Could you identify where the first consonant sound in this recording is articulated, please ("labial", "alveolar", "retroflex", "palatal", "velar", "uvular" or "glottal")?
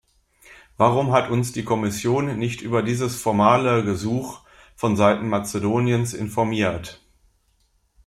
labial